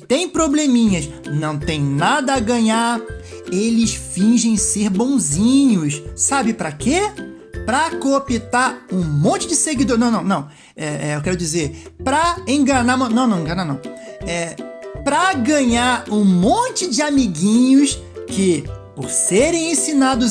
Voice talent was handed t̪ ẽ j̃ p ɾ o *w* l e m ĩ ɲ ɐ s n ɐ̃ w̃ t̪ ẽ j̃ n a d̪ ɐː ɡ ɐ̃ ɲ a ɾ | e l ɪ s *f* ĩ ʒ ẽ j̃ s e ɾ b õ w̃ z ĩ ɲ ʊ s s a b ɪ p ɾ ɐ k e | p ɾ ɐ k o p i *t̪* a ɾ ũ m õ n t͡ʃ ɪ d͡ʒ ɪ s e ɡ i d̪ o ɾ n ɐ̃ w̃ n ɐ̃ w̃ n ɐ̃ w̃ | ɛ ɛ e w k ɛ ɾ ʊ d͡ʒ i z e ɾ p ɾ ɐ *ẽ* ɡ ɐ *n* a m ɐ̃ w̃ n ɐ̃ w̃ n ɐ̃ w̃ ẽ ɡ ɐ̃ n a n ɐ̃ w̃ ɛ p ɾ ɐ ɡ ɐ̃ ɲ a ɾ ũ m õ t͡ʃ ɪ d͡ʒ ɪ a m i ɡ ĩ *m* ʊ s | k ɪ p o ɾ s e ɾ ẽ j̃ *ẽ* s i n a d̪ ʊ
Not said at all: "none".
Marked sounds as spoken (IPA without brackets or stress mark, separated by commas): b, f, t̪, ẽ, n, ɲ, ẽ